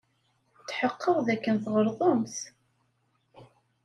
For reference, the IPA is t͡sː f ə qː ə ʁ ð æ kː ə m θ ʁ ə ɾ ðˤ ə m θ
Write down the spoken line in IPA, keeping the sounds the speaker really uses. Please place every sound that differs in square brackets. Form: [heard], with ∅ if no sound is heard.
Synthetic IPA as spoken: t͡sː [ħ] ə qː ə ʁ ð æ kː ə [n] θ ʁ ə ɾ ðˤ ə m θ